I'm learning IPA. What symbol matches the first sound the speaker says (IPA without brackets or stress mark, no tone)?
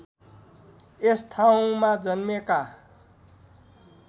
e